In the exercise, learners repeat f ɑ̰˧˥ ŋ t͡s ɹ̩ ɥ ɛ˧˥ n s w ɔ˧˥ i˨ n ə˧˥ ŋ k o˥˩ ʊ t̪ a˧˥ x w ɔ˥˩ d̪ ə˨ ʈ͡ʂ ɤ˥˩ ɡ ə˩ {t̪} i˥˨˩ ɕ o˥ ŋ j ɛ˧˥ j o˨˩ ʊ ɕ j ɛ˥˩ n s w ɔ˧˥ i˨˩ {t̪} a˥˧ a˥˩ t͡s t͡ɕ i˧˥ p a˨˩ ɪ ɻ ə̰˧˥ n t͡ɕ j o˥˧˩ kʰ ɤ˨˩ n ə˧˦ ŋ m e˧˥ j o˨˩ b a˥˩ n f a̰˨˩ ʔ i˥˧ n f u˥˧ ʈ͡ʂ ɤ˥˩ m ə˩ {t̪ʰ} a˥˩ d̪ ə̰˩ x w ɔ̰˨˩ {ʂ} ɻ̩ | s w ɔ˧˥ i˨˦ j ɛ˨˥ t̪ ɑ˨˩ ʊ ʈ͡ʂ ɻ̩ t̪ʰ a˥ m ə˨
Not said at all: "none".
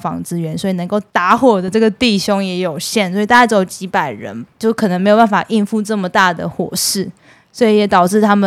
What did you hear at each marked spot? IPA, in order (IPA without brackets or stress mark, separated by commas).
t̪, t̪, t̪, ʂ